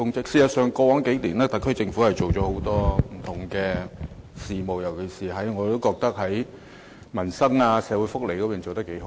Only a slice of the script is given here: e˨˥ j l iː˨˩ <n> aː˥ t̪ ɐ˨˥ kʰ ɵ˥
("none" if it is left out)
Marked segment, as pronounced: n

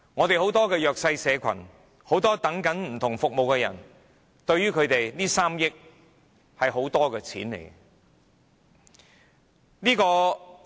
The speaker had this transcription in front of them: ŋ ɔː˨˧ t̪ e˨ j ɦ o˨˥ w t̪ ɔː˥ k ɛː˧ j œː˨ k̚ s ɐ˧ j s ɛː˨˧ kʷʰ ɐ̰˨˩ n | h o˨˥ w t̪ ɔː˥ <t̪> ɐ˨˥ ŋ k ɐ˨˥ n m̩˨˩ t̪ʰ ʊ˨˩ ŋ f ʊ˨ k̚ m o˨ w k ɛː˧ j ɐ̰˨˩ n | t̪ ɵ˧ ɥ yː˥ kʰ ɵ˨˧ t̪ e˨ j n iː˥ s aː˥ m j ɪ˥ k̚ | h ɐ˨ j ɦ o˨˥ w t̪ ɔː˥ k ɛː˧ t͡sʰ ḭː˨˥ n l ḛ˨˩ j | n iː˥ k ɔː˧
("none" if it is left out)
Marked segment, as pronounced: t̪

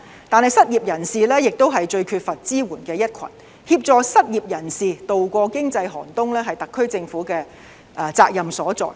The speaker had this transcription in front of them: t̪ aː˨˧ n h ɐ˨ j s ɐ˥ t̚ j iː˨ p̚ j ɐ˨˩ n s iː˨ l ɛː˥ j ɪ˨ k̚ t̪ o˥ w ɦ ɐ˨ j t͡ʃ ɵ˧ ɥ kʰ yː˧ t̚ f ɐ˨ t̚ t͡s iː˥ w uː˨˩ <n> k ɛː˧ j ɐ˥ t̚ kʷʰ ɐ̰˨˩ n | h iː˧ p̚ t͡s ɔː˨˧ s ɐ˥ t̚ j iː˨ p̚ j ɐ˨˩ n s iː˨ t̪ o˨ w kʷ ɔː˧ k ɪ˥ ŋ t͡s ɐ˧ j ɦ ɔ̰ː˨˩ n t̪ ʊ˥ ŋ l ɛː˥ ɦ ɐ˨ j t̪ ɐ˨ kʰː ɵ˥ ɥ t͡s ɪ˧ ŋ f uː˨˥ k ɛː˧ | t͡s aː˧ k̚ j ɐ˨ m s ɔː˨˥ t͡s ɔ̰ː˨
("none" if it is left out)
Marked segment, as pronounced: n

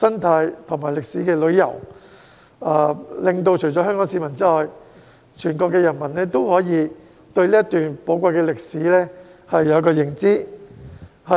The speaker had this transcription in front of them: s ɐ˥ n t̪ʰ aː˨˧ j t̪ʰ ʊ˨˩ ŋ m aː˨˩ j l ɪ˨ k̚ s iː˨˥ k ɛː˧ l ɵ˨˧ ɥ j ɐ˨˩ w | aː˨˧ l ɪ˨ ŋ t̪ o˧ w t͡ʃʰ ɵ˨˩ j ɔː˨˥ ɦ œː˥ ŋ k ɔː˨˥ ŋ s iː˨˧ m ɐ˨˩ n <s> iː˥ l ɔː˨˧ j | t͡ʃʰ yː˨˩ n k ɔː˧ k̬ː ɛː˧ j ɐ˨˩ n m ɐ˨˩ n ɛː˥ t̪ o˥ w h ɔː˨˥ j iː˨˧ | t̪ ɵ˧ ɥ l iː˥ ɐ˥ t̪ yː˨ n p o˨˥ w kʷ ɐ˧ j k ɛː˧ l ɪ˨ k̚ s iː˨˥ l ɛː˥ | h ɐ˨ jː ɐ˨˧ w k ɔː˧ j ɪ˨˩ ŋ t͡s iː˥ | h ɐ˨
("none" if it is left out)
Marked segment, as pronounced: t͡s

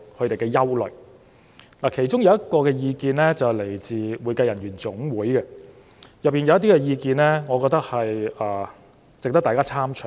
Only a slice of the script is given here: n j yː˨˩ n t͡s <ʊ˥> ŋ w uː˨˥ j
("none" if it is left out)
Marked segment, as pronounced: ʊ˨˥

